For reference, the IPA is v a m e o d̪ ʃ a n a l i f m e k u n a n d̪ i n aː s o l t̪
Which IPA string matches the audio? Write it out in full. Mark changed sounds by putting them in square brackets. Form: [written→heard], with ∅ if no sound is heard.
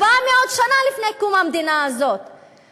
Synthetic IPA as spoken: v a m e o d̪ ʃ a n a l i f [m→n] e k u [n→m] a [n→m] d̪ i n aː [s→z] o [l→∅] t̪